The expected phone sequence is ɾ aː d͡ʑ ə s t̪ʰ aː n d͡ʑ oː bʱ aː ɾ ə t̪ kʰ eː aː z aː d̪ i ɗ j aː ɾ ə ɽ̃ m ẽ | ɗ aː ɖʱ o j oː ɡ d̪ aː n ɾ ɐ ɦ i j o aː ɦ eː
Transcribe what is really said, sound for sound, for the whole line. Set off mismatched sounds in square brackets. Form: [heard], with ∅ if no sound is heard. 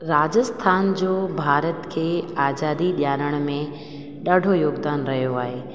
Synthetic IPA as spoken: ɾ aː d͡ʑ ə s t̪ʰ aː n d͡ʑ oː bʱ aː ɾ ə t̪ kʰ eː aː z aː d̪ i ɗ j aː ɾ ə ɽ̃ m ẽ | ɗ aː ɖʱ o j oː ɡ d̪ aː n ɾ ɐ ɦ i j o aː ɦ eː